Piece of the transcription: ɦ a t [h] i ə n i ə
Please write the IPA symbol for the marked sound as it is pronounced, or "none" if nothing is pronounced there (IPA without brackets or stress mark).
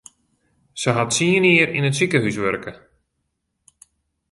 s